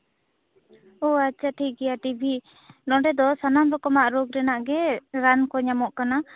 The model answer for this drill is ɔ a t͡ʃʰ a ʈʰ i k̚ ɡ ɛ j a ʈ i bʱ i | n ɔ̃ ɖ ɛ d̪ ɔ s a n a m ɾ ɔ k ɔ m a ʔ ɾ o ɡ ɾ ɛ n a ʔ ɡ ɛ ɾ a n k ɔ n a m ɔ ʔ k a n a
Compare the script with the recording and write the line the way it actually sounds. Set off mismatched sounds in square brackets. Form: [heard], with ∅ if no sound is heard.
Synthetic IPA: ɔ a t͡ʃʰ a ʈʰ i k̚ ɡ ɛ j a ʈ i bʱ i | n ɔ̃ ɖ ɛ d̪ ɔ s a n a m ɾ ɔ k ɔ m a ʔ ɾ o ɡ ɾ ɛ n a ʔ ɡ ɛ ɾ a n k ɔ [ɲ] a m ɔ ʔ k a n a

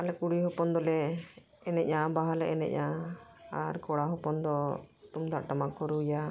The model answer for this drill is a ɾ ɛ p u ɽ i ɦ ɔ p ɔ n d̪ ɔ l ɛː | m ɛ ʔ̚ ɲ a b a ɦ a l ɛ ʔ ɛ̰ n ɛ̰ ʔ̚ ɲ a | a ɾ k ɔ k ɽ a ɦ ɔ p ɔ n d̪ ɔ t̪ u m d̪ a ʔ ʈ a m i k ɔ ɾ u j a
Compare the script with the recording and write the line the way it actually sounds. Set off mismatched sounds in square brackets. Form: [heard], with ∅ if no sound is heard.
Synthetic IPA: a [l] ɛ [k] u ɽ i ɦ ɔ p ɔ n d̪ ɔ l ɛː | [n] ɛ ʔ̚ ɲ a b a ɦ a l ɛ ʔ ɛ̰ n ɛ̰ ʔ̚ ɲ a | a ɾ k ɔ [∅] ɽ a ɦ ɔ p ɔ n d̪ ɔ t̪ u m d̪ a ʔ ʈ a m [a] k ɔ ɾ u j a

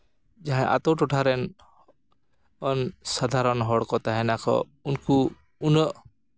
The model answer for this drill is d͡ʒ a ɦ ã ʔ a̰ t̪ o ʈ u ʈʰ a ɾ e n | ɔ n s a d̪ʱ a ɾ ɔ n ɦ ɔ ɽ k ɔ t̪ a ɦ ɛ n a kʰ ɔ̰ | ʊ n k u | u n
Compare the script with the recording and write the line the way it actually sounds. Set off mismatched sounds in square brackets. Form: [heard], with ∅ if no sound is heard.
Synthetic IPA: d͡ʒ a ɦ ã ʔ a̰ t̪ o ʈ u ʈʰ a ɾ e n | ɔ n s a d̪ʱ a ɾ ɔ n ɦ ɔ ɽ k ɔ t̪ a ɦ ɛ n a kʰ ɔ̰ | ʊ n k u | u n

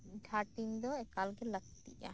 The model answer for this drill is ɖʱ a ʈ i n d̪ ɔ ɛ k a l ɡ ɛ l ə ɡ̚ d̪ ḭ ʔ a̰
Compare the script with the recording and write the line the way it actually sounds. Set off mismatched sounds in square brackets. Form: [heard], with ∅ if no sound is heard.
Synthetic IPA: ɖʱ a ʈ i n d̪ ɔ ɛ k a l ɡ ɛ l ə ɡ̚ [t̪] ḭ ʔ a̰

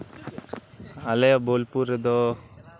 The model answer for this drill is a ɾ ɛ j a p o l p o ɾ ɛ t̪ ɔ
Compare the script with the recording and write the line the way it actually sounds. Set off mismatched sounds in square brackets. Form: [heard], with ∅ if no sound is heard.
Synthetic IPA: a [l] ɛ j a [b] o l p [u] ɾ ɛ [d̪] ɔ

